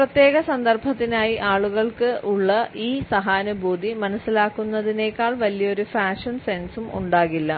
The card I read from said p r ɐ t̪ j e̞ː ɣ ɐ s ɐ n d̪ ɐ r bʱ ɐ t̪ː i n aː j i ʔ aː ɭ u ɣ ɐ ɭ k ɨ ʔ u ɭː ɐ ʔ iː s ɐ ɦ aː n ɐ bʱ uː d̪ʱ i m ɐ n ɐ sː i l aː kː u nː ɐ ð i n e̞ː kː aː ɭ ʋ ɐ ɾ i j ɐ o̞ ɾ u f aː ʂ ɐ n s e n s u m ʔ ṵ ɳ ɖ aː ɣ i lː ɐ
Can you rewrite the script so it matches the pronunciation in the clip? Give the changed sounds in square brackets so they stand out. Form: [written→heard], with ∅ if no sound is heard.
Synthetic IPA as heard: p r ɐ t̪ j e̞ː ɣ ɐ s ɐ n d̪ ɐ r bʱ ɐ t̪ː i n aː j i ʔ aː ɭ u ɣ ɐ ɭ k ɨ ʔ u ɭː ɐ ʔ iː s ɐ ɦ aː n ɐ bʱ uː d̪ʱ i m ɐ n ɐ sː i l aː kː u nː ɐ ð i n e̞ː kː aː ɭ ʋ ɐ [ɾ→l] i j ɐ o̞ ɾ u f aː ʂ ɐ n s e n s u m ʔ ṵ ɳ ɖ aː ɣ i lː ɐ